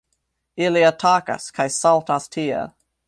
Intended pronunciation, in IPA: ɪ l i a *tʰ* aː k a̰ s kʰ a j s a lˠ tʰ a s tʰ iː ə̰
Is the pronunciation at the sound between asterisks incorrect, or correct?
correct